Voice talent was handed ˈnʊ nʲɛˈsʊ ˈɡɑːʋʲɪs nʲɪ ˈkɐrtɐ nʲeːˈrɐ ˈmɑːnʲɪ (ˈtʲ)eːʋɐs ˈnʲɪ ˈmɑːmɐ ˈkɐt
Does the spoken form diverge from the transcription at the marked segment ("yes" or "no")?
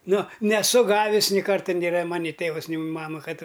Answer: no